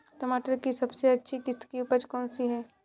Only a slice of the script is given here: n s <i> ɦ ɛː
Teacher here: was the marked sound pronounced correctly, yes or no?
yes